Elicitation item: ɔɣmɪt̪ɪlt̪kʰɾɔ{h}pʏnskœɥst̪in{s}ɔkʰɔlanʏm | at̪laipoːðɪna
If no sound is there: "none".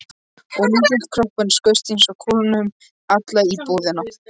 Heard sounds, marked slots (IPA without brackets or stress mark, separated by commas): h, s